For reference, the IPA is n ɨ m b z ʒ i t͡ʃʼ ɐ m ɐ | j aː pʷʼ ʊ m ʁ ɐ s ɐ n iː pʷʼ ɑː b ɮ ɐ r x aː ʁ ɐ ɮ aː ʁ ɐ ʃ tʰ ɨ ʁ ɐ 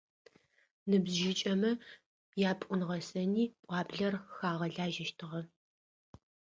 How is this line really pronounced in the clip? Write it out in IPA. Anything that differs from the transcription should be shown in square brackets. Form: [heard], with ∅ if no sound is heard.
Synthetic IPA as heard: n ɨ [∅] b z ʒ [ɪ] t͡ʃʼ ɐ m ɐ | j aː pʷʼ ʊ [n] ʁ ɐ s ɐ n iː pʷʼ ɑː b ɮ ɐ r x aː ʁ ɐ ɮ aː [ʒ] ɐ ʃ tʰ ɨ ʁ ɐ